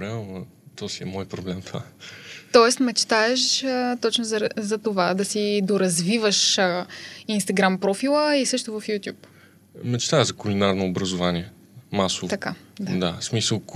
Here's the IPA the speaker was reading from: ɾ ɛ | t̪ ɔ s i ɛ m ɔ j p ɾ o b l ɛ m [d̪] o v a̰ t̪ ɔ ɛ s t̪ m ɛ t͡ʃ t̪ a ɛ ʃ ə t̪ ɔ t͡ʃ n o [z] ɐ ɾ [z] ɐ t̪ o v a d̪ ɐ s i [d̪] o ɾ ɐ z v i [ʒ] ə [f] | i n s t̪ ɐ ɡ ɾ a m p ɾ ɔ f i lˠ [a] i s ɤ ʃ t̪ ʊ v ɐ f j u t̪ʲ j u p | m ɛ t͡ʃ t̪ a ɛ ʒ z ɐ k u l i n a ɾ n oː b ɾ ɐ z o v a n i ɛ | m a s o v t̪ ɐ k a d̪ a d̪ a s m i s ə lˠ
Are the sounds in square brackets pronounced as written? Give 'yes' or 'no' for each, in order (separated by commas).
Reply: no, yes, yes, yes, no, no, no